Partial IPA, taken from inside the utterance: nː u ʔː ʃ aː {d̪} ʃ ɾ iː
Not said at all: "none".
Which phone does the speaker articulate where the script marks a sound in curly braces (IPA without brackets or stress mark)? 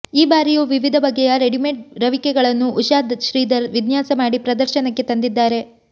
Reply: d̪